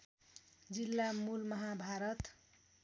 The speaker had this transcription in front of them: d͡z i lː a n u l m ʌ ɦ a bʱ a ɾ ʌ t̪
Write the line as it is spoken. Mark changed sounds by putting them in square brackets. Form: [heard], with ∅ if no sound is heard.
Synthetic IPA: d͡z i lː a [m] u l m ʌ ɦ a bʱ a ɾ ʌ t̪